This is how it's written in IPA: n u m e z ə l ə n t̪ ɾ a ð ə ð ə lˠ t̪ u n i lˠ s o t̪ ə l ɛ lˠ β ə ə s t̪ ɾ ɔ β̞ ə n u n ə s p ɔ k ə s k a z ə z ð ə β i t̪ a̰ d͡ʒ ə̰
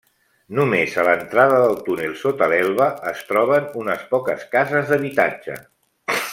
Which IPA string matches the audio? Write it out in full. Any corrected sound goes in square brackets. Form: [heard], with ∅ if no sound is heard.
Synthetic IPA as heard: n u m e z ə l ə n t̪ ɾ a ð ə ð ə lˠ t̪ u n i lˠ s o t̪ ə l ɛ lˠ β ə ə s t̪ ɾ ɔ β̞ ə n u n ə s p ɔ k ə s k a z ə z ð ə β i t̪ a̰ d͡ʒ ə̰